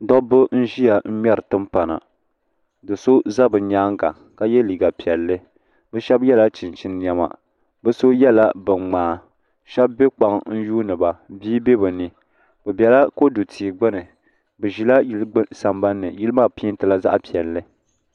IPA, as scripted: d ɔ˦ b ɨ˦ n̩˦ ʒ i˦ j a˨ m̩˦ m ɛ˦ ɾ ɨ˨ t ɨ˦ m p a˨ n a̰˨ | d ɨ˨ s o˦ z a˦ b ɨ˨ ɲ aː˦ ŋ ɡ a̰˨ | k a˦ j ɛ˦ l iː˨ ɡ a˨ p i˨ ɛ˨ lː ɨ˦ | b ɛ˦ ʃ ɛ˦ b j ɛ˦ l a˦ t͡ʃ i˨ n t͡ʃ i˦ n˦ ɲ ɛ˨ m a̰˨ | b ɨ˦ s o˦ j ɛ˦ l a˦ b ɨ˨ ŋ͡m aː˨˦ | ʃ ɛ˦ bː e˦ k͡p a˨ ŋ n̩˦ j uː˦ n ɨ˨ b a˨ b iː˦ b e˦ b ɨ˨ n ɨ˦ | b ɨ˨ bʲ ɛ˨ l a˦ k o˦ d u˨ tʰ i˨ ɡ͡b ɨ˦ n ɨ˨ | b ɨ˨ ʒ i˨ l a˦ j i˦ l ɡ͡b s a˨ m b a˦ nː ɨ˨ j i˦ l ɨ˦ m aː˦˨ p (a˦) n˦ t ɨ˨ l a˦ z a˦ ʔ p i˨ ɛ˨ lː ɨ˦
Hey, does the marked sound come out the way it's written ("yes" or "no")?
no